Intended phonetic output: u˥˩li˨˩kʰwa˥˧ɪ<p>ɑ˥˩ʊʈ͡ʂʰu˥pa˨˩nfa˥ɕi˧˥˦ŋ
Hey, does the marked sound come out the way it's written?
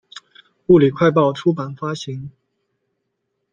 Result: yes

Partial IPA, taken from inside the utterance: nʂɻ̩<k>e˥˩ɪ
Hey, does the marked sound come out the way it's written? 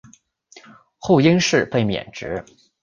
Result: no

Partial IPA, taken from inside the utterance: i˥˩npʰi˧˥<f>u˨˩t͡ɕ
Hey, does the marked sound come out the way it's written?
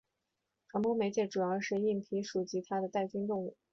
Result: no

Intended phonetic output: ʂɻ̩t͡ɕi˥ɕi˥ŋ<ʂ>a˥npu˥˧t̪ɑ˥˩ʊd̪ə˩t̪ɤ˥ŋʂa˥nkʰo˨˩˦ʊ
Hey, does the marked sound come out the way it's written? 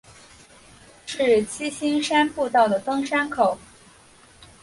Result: yes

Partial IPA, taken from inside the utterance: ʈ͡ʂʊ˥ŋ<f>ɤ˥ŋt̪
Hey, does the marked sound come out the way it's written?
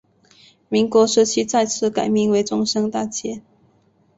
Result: no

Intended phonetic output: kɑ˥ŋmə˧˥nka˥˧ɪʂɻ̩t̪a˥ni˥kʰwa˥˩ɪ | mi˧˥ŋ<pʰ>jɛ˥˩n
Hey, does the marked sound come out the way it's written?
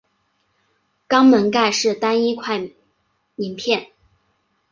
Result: yes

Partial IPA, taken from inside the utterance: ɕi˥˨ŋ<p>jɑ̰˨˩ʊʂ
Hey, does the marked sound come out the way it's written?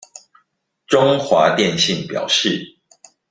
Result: yes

